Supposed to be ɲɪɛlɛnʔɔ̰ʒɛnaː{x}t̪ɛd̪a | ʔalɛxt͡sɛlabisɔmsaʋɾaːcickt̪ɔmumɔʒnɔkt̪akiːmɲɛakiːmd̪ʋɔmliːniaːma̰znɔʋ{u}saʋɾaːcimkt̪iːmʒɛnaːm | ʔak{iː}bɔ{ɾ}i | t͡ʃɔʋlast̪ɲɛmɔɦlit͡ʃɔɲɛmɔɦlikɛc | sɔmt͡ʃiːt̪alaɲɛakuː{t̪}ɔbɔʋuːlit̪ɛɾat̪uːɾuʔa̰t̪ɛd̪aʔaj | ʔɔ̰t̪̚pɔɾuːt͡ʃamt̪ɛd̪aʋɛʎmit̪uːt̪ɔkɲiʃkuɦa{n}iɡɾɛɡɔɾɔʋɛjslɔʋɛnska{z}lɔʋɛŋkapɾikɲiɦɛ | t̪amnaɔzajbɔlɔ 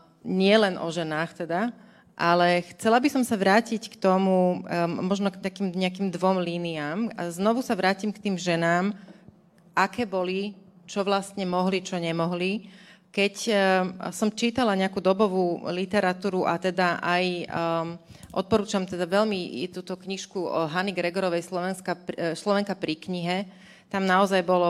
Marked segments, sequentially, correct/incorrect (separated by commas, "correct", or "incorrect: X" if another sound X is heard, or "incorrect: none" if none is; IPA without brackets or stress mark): correct, correct, incorrect: ɛː, incorrect: l, incorrect: d̪, correct, incorrect: s